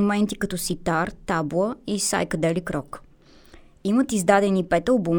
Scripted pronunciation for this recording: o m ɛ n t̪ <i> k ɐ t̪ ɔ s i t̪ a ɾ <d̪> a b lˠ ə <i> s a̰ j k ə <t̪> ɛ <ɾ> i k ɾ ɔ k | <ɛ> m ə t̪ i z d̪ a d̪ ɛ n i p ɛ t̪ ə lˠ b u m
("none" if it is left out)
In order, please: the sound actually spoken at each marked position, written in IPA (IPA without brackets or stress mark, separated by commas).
i, t̪, i, d̪, l, i